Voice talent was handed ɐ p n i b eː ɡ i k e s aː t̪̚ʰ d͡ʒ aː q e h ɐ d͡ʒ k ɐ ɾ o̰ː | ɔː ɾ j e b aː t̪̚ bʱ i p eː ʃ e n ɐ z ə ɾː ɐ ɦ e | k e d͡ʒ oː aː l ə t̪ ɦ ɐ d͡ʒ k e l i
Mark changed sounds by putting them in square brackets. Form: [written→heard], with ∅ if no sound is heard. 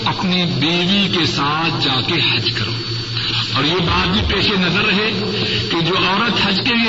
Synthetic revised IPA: ɐ p n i b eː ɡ i k e s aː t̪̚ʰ d͡ʒ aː [q→k] e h ɐ d͡ʒ k ɐ ɾ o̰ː | ɔː ɾ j e b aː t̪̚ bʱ i p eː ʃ e n ɐ z ə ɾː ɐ ɦ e | k e d͡ʒ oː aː [l→ɾ] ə t̪ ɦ ɐ d͡ʒ k e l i